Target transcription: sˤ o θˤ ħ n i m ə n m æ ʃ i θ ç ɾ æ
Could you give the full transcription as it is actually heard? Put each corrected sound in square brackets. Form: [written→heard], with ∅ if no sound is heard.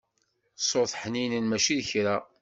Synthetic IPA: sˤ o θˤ ħ n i [m→n] ə n m æ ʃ i [θ→ð] ç ɾ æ